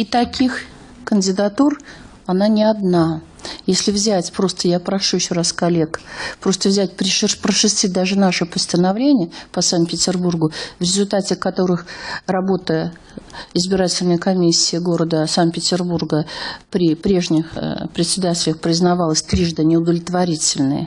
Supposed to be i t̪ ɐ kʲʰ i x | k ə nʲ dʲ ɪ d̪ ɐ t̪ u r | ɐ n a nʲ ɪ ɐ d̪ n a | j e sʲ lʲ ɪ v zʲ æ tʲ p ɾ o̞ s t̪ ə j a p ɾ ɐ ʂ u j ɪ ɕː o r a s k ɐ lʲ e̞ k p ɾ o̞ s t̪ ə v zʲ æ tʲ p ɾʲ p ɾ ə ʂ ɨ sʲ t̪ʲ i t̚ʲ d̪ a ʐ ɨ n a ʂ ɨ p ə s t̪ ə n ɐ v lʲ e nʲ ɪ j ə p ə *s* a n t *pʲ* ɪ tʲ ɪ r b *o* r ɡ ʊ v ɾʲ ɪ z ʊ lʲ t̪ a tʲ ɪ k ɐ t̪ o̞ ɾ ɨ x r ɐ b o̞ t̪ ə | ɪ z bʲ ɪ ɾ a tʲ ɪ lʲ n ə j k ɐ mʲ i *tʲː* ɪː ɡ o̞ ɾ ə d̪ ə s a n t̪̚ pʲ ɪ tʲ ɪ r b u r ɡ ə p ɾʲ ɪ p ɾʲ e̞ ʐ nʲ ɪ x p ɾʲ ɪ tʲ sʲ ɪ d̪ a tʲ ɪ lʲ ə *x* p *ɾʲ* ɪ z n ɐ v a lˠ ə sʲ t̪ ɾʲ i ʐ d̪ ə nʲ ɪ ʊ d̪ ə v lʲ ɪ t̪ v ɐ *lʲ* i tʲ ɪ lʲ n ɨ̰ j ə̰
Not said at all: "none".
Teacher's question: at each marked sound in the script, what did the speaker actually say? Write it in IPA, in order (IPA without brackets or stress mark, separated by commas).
s, pʲ, u, sʲː, x, ɾʲ, ɾʲ